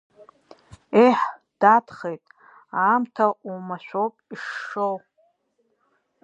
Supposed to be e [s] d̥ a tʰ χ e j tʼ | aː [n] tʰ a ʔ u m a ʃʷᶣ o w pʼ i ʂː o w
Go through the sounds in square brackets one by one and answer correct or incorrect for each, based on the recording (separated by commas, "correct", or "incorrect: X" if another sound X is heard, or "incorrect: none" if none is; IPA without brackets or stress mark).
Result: incorrect: ħ, incorrect: m